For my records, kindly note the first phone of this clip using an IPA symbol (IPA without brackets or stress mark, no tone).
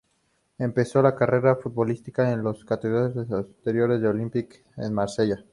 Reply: e̞